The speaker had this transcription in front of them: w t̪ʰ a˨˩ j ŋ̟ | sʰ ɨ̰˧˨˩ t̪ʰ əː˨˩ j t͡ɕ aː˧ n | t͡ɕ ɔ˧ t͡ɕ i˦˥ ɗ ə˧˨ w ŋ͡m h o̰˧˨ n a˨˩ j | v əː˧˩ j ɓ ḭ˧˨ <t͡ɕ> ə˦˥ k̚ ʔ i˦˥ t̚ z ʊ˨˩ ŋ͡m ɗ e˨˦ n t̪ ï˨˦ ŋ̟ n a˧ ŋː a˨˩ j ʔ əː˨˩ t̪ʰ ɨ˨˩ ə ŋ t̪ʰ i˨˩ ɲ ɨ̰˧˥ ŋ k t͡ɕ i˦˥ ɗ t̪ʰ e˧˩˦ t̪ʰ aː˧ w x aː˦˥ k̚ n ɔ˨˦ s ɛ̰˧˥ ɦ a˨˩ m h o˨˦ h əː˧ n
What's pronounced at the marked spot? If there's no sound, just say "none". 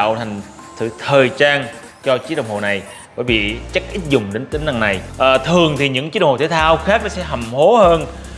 t͡ɕ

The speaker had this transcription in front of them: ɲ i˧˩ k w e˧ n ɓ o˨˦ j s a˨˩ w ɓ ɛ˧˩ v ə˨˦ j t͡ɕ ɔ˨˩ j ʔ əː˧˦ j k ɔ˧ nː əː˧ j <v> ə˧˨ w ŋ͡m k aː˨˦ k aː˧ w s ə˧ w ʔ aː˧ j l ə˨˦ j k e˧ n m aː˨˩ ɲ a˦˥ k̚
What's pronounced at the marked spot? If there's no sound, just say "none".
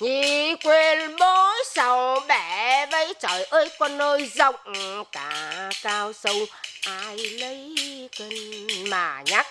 z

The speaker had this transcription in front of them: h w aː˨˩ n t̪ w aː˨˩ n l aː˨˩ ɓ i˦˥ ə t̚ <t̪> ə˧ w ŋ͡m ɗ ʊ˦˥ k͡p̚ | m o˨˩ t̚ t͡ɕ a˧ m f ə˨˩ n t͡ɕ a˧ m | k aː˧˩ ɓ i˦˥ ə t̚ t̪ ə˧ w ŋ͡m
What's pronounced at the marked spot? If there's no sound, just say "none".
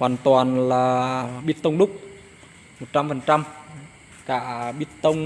t̪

